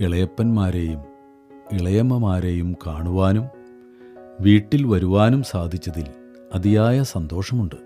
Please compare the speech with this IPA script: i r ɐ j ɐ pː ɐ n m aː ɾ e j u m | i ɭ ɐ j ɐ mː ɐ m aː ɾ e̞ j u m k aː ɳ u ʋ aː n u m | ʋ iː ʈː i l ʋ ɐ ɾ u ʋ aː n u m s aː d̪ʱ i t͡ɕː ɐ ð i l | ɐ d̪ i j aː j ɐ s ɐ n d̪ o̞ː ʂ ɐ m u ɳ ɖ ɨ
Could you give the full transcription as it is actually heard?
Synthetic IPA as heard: i ɭ ɐ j ɐ pː ɐ n m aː ɾ e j u m | i ɭ ɐ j ɐ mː ɐ m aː ɾ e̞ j u m k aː ɳ u ʋ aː n u m | ʋ iː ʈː i l ʋ ɐ ɾ u ʋ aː n u m s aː d̪ʱ i t͡ɕː ɐ ð i l | ɐ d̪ i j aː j ɐ s ɐ n d̪ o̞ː ʂ ɐ m u ɳ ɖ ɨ